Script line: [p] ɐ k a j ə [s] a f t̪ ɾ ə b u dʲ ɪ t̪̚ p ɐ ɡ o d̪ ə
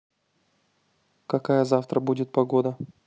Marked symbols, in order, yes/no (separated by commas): no, no